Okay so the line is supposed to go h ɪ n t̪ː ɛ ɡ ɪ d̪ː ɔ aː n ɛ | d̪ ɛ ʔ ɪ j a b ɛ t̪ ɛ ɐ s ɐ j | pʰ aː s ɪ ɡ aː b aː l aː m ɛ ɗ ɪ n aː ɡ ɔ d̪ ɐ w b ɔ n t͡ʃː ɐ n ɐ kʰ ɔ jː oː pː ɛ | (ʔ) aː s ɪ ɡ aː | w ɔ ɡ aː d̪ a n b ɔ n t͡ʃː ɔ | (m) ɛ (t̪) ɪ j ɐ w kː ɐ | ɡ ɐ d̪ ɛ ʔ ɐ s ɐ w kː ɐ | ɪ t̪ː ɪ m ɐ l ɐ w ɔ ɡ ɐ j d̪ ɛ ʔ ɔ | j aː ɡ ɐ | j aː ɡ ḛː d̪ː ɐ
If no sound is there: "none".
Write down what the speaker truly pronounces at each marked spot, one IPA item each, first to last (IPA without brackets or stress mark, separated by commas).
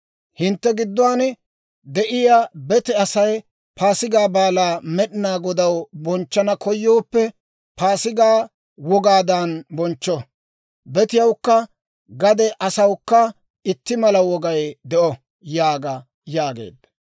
p, b, t̪